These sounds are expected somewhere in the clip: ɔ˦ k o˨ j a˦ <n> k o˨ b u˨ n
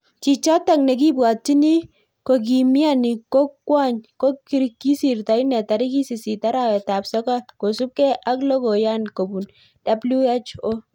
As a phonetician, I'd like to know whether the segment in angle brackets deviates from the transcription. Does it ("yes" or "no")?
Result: no